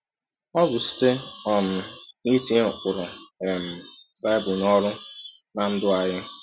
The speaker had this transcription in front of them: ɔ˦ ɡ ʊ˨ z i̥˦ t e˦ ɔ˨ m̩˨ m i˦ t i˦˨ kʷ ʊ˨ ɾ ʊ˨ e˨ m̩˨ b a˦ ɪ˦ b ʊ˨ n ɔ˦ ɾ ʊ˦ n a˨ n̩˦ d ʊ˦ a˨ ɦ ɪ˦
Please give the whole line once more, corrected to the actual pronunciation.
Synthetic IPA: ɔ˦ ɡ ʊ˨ s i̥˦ t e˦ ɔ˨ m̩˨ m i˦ t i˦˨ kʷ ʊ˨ ɾ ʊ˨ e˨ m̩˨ b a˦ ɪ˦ b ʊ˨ n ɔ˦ ɾ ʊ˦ n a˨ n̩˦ d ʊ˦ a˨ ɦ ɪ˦